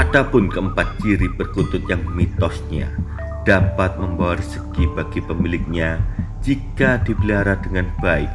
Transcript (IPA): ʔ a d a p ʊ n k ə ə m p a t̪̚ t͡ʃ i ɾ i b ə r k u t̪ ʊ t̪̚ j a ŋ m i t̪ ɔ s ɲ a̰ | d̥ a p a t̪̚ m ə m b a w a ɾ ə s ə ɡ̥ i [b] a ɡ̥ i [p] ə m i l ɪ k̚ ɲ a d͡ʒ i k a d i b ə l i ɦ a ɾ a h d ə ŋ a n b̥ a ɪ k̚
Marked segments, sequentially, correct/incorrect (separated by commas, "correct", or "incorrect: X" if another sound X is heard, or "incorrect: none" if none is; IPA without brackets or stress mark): correct, correct